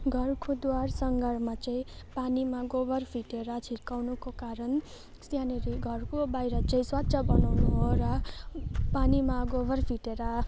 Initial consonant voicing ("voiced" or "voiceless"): voiced